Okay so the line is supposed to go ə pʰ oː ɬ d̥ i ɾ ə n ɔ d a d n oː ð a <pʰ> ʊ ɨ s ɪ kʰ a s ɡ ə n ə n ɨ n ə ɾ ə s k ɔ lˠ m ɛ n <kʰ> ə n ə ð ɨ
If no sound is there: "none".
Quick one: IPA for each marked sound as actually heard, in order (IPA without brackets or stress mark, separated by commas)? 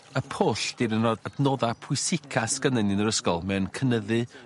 pʰ, kʰ